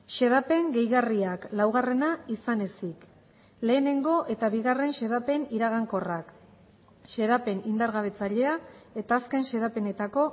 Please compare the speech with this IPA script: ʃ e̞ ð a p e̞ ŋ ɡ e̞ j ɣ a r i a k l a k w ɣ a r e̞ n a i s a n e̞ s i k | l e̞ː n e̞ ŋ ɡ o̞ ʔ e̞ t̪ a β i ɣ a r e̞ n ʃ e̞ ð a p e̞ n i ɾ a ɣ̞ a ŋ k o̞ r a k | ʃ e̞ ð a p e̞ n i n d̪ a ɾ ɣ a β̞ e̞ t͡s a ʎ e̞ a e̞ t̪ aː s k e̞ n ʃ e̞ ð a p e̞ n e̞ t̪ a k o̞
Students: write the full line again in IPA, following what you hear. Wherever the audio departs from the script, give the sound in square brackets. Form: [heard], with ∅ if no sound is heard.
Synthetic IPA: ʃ e̞ ð a p e̞ ŋ ɡ e̞ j ɣ a r i a k l a [∅] w ɣ a r e̞ n a i s a n e̞ s i k | l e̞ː n e̞ ŋ ɡ o̞ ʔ e̞ t̪ a β i ɣ a r e̞ n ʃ e̞ ð a p e̞ n i ɾ a ɣ̞ a ŋ k o̞ r a k | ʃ e̞ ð a p e̞ n i n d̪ a ɾ ɣ a β̞ e̞ t͡s a ʎ e̞ a e̞ t̪ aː s k e̞ n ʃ e̞ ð a p e̞ n e̞ t̪ a k o̞